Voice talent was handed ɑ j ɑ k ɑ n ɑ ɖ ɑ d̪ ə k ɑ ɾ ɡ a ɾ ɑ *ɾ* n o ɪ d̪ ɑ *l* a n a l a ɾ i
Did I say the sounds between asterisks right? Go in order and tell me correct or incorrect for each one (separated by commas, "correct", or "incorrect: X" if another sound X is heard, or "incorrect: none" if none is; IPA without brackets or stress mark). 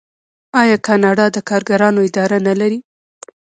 incorrect: none, incorrect: ɾ